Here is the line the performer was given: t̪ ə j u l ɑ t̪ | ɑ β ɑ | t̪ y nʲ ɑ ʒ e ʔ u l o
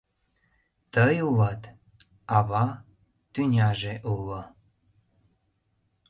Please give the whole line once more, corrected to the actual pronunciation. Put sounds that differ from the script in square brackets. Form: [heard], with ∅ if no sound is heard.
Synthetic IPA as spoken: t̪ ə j u l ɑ t̪ | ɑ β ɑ | t̪ y nʲ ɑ ʒ e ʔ u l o